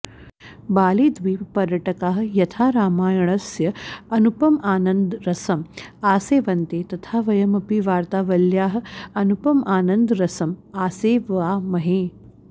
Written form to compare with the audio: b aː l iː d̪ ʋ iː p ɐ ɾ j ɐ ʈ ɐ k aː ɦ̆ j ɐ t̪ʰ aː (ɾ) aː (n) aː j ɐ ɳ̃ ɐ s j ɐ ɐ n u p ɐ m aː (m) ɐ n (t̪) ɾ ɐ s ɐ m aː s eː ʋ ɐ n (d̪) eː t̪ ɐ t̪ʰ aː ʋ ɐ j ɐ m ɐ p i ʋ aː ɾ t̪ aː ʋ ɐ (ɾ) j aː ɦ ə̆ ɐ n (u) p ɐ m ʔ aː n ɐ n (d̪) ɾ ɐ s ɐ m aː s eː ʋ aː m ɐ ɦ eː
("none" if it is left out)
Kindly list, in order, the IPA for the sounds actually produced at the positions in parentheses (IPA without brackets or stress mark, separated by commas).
ɾ, m, n, d̪, t̪, l, u, d̪